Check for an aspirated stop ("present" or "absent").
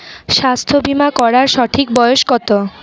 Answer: present